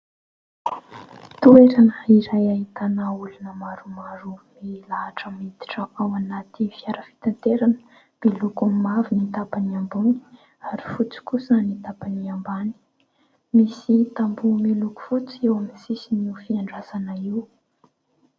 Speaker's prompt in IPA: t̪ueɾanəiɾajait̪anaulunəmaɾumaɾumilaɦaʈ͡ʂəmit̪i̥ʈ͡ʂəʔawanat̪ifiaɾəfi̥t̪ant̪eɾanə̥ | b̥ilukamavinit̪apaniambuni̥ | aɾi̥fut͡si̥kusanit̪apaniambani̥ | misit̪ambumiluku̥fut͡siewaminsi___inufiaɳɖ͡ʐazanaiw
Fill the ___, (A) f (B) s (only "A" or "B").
B